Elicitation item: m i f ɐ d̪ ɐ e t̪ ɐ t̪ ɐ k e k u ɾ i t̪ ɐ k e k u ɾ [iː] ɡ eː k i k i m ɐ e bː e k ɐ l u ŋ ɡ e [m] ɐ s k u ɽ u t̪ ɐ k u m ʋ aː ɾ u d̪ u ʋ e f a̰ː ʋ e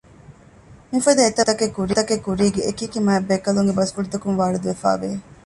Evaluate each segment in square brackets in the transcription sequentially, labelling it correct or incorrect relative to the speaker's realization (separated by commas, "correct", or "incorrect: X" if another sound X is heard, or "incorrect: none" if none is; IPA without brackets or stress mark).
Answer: correct, incorrect: b